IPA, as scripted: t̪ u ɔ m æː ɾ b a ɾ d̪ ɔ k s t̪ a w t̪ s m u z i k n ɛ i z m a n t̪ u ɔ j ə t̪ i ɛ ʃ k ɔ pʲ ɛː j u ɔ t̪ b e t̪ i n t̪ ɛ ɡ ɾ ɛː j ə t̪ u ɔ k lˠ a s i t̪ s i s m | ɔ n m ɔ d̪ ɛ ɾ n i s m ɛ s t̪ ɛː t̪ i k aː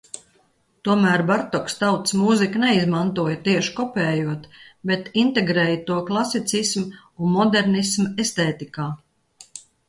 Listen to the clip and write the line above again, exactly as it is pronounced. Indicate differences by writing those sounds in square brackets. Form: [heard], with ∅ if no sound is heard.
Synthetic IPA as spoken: t̪ u ɔ m æː ɾ b a ɾ [t̪] ɔ k s t̪ a w t̪ s m u z i k n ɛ i z m a n t̪ u ɔ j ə t̪ i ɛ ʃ k ɔ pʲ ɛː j u ɔ t̪ b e t̪ i n t̪ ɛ ɡ ɾ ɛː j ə t̪ u ɔ k lˠ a s i t̪ s i s m | [u] n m ɔ d̪ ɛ ɾ n i s m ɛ s t̪ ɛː t̪ i k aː